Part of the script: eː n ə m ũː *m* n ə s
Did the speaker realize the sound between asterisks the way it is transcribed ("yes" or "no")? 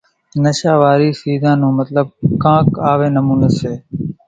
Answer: no